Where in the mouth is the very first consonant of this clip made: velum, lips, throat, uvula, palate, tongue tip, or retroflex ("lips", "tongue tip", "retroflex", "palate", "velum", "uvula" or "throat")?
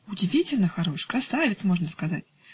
tongue tip